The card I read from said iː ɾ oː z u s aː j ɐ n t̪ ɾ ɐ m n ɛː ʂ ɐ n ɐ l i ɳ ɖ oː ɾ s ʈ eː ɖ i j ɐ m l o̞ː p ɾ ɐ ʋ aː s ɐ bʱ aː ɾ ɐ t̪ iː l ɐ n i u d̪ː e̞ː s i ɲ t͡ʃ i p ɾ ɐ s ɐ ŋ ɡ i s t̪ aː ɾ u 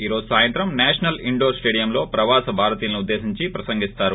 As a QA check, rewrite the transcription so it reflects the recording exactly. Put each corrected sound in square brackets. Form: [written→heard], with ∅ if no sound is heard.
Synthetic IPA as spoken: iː ɾ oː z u s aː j ɐ n t̪ ɾ ɐ m n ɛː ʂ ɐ n ɐ l i ɳ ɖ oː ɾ s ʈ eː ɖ i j ɐ m l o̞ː p ɾ ɐ ʋ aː s ɐ bʱ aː ɾ ɐ t̪ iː l ɐ n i u d̪ː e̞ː s i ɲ t͡ʃ i p ɾ ɐ s ɐ ŋ ɡ i s t̪ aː ɾ u

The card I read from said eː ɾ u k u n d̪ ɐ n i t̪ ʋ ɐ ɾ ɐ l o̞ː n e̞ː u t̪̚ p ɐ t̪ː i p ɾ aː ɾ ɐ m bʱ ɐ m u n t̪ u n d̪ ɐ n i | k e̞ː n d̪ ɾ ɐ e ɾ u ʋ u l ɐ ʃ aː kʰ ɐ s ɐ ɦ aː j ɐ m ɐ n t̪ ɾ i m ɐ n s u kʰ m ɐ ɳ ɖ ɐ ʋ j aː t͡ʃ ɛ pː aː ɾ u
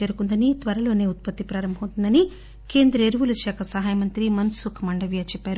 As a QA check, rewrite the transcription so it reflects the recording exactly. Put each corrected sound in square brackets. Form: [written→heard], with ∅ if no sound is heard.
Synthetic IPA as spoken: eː ɾ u k u n d̪ ɐ n i t̪ ʋ ɐ ɾ ɐ l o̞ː n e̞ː u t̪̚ p ɐ t̪ː i p ɾ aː ɾ ɐ m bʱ ɐ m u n t̪ u n d̪ ɐ n i | k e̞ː n d̪ ɾ ɐ e ɾ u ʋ u l ɐ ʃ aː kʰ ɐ s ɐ ɦ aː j ɐ m ɐ n t̪ ɾ i m ɐ n s u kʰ m ɐ ɳ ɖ ɐ ʋ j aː t͡ʃ ɛ pː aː ɾ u

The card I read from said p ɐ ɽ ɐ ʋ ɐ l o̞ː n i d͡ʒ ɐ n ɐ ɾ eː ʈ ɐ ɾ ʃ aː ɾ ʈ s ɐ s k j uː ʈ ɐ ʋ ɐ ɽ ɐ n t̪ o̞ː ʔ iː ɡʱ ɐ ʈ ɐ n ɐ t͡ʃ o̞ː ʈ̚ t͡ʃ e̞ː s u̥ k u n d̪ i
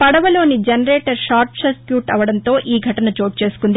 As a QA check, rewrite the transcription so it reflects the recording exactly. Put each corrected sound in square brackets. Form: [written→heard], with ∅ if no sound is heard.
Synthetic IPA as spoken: p ɐ ɽ ɐ ʋ ɐ l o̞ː n i d͡ʒ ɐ n ɐ ɾ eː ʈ ɐ ɾ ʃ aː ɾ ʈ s ɐ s k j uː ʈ ɐ ʋ ɐ ɽ ɐ n t̪ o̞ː ʔ iː ɡʱ ɐ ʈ ɐ n ɐ t͡ʃ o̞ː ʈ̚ t͡ʃ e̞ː s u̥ k u n d̪ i

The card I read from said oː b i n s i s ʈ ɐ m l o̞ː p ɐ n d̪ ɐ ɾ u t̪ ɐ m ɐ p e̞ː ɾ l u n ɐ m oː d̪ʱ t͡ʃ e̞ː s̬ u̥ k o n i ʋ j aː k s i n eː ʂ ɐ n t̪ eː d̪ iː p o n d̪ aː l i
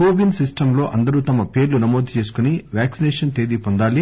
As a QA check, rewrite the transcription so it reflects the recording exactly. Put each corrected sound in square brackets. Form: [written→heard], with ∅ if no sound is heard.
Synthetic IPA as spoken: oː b i n s i s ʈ ɐ m l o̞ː [p→ʔ] ɐ n d̪ ɐ ɾ u t̪ ɐ m ɐ p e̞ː ɾ l u n ɐ m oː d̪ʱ t͡ʃ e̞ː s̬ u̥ k [o→u] n i ʋ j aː k s i n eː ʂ ɐ n t̪ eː d̪ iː p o n d̪ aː l i

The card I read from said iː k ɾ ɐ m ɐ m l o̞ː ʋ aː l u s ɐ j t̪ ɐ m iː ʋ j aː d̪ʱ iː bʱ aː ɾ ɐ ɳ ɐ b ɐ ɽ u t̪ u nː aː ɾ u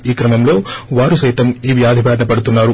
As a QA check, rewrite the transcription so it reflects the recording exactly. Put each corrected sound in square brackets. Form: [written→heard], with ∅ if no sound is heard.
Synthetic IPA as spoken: iː k ɾ ɐ m ɐ m l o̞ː ʋ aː [l→ɾ] u s ɐ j t̪ ɐ m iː ʋ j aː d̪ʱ [iː→i] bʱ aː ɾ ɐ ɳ ɐ [b→p] ɐ ɽ u t̪ u nː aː ɾ u

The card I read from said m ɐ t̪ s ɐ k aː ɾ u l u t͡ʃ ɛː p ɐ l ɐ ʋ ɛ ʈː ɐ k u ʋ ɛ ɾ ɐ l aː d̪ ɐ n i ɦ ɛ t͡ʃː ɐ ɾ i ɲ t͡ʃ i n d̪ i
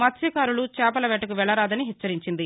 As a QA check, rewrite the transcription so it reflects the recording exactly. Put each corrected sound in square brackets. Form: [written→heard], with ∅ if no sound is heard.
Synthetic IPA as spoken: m ɐ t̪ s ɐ k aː ɾ u l u t͡ʃ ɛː p ɐ l ɐ ʋ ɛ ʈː ɐ k u ʋ ɛ [ɾ→ɭ] ɐ [l→ɾ] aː d̪ ɐ n i ɦ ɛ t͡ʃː ɐ ɾ i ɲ t͡ʃ i n d̪ i

